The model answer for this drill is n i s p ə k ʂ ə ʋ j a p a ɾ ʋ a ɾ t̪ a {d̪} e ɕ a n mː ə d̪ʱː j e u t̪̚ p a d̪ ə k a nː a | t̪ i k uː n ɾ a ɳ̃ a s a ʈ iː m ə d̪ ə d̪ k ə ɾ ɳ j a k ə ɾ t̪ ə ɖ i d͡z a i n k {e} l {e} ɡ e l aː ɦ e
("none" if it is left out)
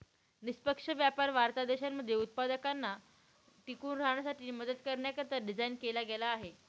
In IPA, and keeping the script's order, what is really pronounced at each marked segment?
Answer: d̪, e, a

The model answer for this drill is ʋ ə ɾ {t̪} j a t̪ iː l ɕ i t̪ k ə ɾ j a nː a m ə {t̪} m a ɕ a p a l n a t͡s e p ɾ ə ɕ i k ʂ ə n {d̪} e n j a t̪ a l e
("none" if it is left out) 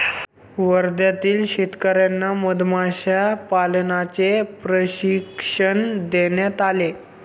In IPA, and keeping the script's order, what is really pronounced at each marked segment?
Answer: d̪, d̪, d̪

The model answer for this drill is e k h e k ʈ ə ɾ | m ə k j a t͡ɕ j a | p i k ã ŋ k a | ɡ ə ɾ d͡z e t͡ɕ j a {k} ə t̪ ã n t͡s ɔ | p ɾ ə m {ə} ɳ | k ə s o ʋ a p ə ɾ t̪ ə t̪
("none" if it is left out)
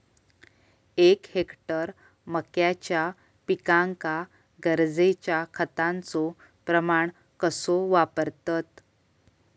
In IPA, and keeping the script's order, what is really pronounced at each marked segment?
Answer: kʰ, a

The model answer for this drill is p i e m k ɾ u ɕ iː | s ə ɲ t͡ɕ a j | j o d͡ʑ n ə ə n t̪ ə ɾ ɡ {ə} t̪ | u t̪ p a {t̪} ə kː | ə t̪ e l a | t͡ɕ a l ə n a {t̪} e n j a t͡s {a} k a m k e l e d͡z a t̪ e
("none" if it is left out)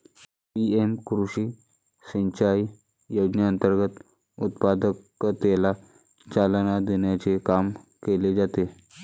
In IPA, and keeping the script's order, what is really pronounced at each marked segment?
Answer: ə, d̪, d̪, e

